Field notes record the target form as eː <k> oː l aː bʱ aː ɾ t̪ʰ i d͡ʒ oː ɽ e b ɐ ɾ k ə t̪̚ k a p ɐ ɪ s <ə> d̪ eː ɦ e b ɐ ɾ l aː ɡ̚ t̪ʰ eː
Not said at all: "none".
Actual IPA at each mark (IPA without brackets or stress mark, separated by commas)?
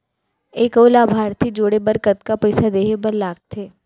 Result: k, a